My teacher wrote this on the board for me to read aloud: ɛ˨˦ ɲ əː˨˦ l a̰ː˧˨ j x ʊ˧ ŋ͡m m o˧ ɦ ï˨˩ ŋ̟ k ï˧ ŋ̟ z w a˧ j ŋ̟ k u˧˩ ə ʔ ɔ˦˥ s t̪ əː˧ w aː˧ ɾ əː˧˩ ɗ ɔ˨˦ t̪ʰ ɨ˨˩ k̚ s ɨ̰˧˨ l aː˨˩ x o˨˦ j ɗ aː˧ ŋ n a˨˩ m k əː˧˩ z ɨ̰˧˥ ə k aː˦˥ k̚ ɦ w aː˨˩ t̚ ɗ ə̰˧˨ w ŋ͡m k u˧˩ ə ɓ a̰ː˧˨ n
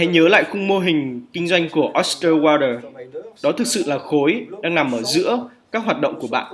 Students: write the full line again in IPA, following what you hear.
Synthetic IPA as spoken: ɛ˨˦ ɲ əː˨˦ l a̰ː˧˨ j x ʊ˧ ŋ͡m m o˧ ɦ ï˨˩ ŋ̟ k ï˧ ŋ̟ z w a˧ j ŋ̟ k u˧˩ ə ʔ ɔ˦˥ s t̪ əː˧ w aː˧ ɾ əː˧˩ ɗ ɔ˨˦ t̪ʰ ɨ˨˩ k̚ s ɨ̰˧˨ l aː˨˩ x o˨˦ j ɗ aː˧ ŋ n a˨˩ m ʔ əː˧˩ z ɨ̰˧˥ ə k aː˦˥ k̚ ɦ w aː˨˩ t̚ ɗ ə̰˧˨ w ŋ͡m k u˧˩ ə ɓ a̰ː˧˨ n